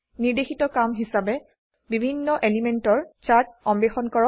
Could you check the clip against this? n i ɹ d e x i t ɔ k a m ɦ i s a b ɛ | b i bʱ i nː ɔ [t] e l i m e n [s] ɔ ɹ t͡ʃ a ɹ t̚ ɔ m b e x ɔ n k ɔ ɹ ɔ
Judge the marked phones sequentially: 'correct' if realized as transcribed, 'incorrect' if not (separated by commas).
incorrect, incorrect